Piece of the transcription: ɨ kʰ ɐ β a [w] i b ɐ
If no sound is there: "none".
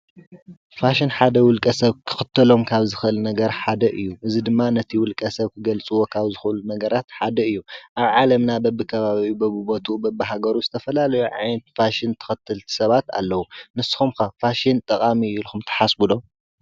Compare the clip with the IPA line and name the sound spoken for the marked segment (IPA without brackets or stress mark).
β